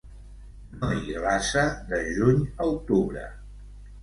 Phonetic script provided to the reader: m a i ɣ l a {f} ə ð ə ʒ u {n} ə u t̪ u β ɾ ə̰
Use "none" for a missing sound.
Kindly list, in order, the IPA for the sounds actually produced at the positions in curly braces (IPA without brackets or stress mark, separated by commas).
s, ɲ